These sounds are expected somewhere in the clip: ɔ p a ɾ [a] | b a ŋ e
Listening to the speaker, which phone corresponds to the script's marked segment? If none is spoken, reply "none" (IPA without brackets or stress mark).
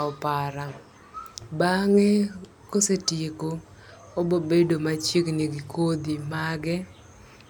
a